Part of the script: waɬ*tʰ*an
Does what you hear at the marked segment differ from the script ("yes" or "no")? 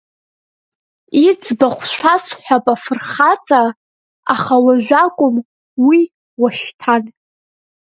no